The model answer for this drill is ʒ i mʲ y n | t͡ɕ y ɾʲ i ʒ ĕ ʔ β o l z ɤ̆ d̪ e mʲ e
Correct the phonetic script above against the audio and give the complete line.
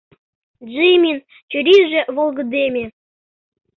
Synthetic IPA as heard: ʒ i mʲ i n | t͡ɕ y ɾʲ i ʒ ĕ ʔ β o l ɣ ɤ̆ d̪ e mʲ e